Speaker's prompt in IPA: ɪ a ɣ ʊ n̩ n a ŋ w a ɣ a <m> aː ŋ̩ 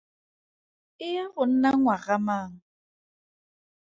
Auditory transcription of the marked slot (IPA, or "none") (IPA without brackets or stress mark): m